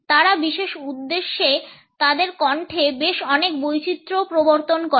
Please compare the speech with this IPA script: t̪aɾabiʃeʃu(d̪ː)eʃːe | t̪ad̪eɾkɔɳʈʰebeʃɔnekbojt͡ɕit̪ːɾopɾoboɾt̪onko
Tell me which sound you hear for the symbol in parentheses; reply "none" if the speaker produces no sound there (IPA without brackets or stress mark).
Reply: d̪ː